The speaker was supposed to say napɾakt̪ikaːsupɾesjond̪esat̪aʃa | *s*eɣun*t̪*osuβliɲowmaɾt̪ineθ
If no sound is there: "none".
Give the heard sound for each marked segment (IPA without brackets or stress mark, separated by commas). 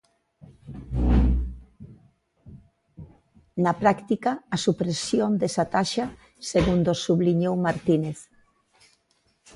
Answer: s, d̪